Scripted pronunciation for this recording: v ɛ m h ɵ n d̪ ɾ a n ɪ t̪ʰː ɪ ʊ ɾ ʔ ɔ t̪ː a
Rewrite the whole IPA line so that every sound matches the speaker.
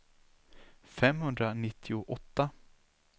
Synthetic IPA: f ɛ m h ɵ n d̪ ɾ a n ɪ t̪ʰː ɪ ʊ ʔ ɔ t̪ː a